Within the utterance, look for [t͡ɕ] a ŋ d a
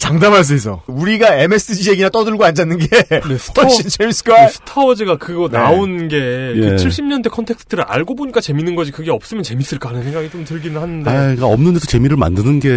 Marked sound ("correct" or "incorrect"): correct